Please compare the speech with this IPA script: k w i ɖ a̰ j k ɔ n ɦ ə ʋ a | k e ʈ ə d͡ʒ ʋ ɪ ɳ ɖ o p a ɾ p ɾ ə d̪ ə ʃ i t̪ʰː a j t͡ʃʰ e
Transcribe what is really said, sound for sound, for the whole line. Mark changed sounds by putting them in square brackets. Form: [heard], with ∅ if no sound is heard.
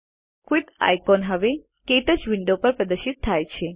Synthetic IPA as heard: k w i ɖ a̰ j k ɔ n ɦ ə ʋ [e] | k e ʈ ə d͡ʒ ʋ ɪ ɳ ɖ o p [ə] ɾ p ɾ ə d̪ ə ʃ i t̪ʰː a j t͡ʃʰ e